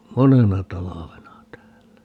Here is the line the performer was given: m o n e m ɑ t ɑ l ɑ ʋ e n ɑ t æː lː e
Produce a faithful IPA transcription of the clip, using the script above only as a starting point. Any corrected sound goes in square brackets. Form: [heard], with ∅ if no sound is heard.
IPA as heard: m o n e [n] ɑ t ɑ l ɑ ʋ e n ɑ t æː lː [æ]